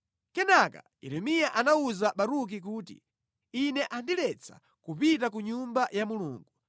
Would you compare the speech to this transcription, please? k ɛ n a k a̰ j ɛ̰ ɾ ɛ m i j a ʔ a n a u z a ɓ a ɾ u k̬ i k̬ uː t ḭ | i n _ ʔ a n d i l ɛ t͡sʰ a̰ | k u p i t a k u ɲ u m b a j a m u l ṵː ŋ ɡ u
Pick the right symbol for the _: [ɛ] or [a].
ɛ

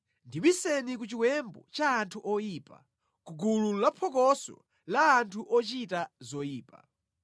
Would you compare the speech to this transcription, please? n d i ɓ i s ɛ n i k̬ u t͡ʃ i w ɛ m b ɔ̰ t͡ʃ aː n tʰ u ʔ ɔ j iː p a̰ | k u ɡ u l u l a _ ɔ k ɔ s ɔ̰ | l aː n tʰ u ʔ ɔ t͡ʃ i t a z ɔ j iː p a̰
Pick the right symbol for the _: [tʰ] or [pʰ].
pʰ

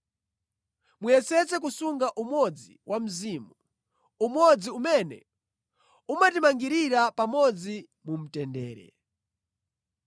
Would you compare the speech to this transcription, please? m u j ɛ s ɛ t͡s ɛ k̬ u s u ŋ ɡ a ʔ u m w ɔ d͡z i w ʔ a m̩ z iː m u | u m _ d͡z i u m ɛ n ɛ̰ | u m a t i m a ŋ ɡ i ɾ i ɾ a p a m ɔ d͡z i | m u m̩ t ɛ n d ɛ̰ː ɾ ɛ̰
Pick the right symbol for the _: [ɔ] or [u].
ɔ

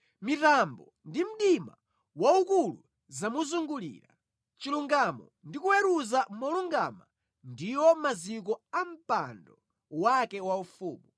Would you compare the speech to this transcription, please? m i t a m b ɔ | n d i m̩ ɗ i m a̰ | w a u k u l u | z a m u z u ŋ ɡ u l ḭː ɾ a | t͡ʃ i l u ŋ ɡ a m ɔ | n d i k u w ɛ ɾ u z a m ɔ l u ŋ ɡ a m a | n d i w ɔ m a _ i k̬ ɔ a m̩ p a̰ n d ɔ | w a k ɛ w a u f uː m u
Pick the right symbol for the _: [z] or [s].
z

